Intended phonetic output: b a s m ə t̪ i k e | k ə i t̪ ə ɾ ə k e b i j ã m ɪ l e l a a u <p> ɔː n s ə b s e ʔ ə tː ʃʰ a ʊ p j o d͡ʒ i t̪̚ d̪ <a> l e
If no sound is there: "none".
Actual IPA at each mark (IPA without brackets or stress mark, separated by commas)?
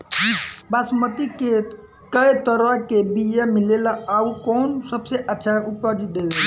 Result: k, e